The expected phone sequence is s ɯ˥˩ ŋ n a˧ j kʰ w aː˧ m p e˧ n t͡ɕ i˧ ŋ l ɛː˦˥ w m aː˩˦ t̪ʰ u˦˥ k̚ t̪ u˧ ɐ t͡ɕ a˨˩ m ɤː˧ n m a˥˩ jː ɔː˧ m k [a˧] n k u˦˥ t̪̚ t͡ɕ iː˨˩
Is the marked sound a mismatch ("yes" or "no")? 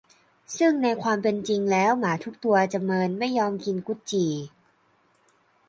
yes